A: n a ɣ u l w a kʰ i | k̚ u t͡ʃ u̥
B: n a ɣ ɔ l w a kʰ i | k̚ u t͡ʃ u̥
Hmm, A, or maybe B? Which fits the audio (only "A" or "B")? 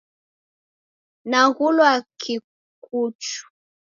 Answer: A